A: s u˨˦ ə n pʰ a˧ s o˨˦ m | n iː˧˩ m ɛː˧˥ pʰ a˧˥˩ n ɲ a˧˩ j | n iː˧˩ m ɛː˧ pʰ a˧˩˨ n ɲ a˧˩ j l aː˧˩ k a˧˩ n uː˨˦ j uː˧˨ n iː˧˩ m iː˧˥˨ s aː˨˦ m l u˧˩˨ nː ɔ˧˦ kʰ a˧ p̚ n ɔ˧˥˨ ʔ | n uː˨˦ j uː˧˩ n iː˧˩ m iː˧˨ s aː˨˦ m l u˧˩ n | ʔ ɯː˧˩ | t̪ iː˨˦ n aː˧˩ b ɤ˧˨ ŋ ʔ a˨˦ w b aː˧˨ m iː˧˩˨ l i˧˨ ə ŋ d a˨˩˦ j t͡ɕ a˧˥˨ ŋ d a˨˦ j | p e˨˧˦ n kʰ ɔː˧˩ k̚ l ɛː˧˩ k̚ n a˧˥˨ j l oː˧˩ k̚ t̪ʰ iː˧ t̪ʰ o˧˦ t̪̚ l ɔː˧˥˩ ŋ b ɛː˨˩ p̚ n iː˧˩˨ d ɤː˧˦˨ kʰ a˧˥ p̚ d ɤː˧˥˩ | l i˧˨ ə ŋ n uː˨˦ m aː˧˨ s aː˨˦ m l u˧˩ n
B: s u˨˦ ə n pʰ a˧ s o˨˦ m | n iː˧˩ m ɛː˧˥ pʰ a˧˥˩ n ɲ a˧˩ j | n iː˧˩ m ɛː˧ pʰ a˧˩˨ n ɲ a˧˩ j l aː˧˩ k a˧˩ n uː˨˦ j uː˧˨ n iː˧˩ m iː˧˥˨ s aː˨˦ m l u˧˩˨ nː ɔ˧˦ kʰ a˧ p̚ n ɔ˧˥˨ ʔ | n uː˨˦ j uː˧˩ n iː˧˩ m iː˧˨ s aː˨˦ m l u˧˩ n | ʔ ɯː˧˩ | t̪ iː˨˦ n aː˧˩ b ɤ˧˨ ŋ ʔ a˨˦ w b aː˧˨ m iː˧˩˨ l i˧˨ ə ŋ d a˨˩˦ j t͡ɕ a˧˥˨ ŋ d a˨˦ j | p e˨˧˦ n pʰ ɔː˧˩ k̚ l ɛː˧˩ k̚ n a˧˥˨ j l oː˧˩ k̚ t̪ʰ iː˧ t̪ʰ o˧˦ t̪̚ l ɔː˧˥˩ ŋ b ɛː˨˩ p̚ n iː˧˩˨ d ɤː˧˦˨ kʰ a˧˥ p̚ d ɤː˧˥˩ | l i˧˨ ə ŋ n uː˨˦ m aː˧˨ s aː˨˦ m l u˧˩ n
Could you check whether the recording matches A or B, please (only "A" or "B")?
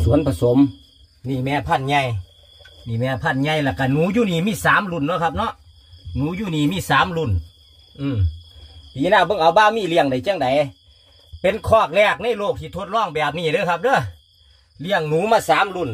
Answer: A